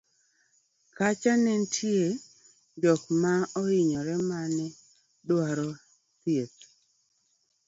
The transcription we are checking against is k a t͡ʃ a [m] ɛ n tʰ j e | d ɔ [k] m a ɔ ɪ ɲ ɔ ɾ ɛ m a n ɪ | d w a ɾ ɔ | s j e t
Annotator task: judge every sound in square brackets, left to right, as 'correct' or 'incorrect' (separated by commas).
incorrect, correct